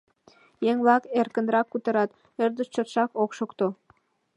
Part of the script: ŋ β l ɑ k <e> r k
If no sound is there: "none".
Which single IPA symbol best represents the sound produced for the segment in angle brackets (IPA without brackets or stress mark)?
e